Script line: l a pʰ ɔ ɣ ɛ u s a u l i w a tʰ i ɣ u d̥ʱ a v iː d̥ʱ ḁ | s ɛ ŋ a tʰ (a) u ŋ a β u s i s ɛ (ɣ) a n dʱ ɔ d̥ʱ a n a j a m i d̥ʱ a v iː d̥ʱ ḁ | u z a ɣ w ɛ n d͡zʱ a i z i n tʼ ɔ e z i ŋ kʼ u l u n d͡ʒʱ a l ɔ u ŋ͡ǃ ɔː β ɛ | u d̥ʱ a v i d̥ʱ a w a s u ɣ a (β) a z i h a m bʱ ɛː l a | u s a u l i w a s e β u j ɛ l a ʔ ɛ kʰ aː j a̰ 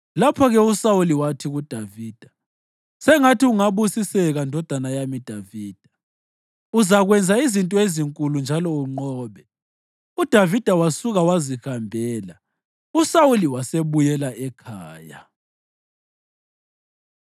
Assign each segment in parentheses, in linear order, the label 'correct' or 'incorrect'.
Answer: incorrect, correct, incorrect

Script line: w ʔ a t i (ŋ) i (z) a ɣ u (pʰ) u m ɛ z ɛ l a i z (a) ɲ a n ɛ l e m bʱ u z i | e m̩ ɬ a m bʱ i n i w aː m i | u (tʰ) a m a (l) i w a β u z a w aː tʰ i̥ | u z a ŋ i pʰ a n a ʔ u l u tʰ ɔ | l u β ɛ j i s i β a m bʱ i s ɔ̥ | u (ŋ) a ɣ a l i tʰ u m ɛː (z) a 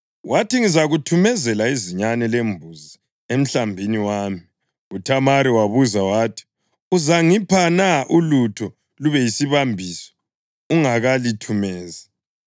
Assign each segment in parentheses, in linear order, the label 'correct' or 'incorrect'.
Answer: correct, correct, incorrect, incorrect, correct, incorrect, correct, correct

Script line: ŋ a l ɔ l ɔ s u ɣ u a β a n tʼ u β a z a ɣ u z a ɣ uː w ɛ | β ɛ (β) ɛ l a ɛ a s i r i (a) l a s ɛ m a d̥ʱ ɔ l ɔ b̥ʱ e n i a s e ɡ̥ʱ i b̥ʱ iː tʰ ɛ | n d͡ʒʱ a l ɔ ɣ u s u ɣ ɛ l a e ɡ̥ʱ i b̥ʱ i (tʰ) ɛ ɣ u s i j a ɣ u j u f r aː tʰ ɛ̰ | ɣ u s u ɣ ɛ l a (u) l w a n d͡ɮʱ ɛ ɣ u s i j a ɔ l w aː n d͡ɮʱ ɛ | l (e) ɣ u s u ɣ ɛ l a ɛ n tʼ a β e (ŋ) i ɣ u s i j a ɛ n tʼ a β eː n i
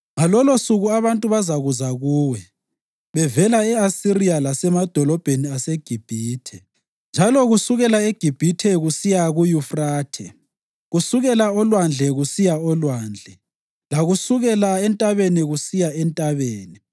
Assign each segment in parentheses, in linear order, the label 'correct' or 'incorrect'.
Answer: incorrect, correct, correct, incorrect, incorrect, incorrect

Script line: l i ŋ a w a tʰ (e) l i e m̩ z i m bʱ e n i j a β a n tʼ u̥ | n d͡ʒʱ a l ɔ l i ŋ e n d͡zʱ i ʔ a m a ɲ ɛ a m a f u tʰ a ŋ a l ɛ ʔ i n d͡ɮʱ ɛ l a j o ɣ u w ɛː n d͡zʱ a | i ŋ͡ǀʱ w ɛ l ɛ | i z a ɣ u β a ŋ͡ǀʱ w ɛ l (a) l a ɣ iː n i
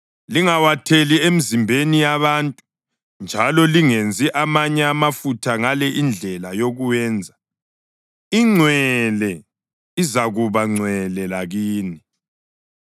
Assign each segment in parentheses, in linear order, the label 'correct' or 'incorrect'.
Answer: correct, incorrect

